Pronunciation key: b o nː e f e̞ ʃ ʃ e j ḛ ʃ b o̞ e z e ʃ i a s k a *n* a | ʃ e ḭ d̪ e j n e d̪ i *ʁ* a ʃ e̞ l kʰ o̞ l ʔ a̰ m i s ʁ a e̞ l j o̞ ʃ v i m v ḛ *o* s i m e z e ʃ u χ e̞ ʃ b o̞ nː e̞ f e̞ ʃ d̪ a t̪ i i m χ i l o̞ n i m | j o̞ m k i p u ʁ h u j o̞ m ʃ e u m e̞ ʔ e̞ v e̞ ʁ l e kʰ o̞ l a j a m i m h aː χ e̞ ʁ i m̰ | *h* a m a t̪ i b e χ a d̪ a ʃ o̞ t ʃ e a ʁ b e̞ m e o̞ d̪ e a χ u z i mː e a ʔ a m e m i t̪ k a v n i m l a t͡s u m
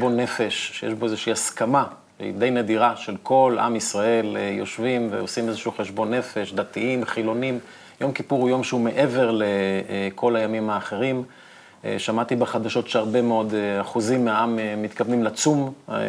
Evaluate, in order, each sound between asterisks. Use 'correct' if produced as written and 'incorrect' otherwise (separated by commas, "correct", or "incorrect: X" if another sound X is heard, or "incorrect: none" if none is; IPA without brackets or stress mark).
incorrect: m, correct, correct, incorrect: ʃ